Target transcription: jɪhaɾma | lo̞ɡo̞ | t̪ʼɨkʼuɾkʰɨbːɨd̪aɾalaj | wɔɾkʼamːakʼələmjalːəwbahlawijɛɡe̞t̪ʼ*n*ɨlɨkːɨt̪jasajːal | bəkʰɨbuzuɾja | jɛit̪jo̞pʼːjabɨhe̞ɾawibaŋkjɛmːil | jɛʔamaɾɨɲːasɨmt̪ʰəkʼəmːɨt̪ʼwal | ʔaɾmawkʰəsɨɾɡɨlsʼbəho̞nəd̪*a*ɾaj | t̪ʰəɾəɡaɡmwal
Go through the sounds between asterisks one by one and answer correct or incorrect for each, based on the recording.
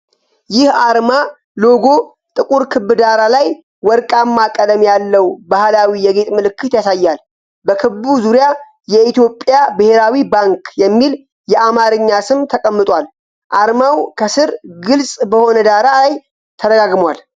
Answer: incorrect: m, correct

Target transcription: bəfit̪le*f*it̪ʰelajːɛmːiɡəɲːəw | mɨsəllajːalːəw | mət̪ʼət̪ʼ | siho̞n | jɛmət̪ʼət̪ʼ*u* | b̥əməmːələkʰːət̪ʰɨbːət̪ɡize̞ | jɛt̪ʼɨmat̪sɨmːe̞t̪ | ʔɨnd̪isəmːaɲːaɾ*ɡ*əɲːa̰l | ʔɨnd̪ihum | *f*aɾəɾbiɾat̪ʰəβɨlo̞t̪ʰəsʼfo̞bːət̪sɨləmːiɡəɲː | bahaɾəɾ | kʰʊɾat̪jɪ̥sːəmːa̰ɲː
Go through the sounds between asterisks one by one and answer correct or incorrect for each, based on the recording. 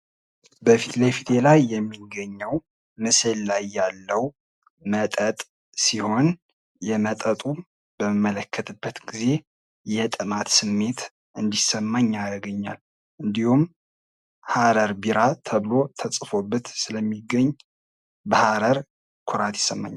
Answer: correct, correct, correct, incorrect: h

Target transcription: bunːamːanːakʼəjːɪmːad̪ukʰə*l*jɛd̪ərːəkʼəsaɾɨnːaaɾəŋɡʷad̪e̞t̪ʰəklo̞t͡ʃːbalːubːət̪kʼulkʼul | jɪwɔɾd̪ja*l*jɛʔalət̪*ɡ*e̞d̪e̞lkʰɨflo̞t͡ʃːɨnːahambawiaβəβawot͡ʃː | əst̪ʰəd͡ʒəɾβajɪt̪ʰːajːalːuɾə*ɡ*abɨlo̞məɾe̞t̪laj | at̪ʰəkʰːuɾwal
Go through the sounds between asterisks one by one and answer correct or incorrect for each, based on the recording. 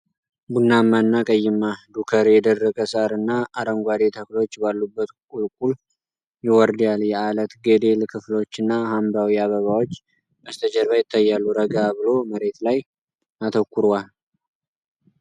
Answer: incorrect: ɾ, correct, correct, correct

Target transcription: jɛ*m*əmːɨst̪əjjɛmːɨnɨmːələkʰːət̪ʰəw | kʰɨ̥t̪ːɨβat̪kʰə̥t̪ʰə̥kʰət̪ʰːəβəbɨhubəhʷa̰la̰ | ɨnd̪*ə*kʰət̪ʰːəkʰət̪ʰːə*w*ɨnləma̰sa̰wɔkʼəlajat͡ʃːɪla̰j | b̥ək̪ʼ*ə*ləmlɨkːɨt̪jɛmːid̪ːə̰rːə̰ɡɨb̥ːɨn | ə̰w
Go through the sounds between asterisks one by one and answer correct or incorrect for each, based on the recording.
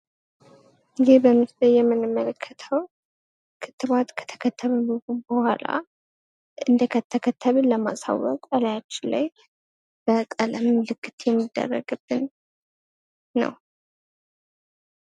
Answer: incorrect: b, correct, incorrect: β, correct

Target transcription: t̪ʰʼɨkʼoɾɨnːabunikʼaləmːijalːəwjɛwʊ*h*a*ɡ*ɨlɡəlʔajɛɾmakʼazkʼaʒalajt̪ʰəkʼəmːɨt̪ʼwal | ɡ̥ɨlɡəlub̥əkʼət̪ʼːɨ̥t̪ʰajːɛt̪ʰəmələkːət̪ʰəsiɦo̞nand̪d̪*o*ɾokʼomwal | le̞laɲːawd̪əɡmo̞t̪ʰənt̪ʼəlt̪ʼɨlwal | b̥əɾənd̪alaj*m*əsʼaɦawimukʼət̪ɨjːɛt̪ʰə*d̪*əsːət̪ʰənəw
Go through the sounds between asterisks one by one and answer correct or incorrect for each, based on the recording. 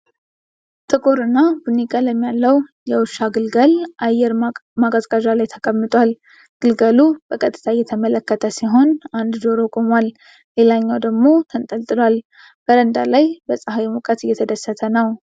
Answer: incorrect: ʃ, correct, correct, incorrect: b, correct

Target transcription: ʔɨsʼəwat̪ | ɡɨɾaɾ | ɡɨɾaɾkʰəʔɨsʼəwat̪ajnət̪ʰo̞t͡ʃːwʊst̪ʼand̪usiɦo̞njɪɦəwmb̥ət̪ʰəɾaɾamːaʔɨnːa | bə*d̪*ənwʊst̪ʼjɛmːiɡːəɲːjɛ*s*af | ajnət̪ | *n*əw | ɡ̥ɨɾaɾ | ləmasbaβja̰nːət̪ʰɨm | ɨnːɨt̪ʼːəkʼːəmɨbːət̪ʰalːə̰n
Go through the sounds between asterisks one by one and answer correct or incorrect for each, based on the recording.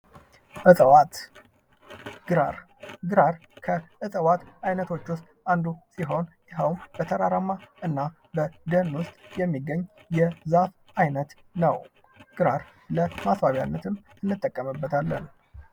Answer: correct, incorrect: z, correct

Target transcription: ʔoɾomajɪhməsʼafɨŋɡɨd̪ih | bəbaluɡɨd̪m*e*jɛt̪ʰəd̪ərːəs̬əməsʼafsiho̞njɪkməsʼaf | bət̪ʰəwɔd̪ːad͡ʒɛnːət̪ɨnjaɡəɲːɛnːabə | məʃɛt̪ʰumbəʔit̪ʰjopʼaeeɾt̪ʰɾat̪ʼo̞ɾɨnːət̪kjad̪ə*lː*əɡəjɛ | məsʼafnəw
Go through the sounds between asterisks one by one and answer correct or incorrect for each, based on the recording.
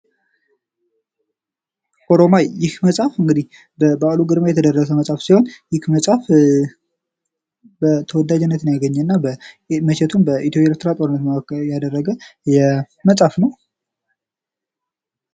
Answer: incorrect: a, incorrect: rː

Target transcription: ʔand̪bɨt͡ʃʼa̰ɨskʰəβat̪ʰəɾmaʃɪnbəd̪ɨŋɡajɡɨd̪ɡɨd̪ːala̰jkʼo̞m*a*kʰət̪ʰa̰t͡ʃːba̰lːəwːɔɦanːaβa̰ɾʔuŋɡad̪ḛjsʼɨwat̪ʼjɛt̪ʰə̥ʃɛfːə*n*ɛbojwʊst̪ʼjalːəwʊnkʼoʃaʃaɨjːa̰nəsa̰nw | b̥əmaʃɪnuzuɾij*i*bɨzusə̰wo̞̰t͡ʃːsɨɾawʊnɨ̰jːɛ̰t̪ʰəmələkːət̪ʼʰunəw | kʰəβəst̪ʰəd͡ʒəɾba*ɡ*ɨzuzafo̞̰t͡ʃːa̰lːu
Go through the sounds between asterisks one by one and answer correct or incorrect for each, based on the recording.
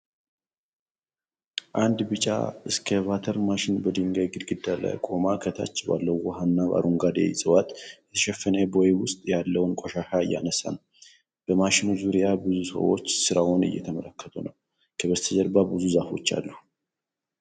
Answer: correct, correct, incorrect: a, incorrect: b

